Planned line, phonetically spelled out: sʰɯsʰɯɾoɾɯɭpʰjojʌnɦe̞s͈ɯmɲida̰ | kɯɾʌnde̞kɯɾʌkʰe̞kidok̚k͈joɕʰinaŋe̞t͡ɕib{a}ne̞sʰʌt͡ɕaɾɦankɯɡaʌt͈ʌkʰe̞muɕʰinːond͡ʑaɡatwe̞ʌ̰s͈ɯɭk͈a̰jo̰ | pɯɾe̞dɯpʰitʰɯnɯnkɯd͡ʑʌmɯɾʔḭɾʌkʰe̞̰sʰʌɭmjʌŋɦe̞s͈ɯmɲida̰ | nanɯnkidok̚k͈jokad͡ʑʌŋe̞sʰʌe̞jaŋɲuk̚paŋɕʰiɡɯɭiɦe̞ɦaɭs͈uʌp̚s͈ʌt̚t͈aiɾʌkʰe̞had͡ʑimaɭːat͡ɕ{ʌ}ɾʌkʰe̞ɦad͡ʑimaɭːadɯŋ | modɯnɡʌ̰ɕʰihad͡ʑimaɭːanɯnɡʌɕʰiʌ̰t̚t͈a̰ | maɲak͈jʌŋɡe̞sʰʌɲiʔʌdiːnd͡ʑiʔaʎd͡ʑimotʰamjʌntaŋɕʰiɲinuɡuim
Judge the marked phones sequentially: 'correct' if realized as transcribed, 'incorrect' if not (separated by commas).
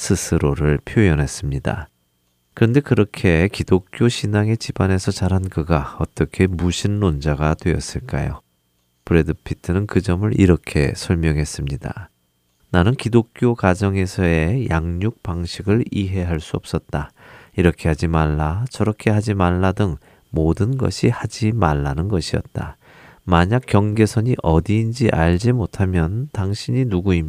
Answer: correct, correct